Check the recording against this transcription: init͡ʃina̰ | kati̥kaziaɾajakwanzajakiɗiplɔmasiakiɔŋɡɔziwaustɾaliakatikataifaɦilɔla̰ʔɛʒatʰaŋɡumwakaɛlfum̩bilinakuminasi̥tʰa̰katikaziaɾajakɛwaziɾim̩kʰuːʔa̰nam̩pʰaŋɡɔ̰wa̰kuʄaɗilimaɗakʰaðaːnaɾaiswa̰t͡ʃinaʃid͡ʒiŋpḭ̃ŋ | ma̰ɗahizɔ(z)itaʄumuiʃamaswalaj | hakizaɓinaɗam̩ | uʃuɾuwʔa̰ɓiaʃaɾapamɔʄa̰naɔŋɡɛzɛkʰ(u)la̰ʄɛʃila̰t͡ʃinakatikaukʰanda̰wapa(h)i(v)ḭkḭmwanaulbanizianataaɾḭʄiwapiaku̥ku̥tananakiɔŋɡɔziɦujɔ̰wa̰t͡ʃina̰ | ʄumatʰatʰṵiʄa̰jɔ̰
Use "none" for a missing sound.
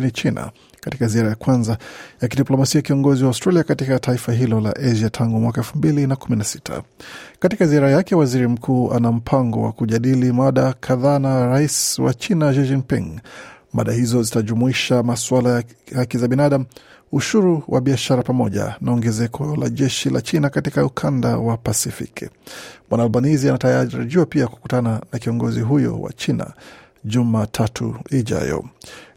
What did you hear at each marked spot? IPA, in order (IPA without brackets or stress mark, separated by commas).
z, ɔ, s, f